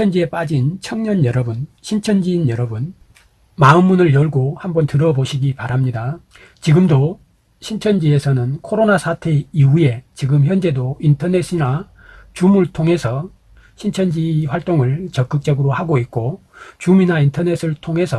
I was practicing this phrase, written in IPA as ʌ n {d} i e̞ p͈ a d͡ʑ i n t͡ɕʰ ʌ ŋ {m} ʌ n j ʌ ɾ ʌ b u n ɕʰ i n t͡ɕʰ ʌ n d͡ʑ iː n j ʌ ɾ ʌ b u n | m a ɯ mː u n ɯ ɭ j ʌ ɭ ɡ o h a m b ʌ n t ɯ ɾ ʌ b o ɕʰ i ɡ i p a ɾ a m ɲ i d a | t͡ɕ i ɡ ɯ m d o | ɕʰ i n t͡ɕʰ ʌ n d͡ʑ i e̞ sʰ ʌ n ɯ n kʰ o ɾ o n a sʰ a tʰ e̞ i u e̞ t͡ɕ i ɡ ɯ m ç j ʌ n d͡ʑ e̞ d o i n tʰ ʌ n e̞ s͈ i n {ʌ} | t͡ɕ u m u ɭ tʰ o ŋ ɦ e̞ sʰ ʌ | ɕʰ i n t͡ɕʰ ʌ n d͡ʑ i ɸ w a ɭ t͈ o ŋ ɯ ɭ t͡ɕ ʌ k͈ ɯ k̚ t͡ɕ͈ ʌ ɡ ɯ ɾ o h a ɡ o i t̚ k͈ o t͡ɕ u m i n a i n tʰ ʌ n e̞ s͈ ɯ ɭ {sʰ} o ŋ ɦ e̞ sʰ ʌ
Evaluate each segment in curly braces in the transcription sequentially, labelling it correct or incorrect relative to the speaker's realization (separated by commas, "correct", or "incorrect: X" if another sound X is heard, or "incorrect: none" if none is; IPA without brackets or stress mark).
incorrect: d͡ʑ, incorrect: ɲ, incorrect: a, incorrect: tʰ